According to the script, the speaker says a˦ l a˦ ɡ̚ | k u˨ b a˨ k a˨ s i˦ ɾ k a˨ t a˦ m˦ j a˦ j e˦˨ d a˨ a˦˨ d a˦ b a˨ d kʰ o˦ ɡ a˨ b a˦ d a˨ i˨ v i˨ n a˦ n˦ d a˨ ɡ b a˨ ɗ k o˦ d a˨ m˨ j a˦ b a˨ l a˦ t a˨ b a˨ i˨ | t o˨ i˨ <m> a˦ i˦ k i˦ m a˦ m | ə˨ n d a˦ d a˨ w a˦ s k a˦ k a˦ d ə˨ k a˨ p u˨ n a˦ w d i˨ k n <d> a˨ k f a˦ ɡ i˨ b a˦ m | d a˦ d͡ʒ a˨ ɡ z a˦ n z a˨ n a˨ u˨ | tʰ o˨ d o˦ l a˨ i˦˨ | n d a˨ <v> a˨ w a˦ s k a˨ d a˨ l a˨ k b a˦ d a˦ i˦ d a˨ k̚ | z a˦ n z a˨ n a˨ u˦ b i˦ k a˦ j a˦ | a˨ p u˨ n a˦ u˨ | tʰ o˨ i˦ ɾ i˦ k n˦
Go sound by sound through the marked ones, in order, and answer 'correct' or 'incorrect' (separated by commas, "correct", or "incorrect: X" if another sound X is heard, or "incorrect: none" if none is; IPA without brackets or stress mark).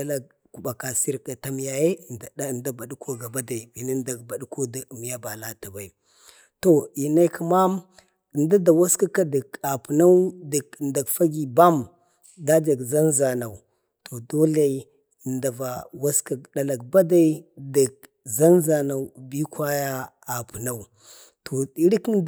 incorrect: n, correct, correct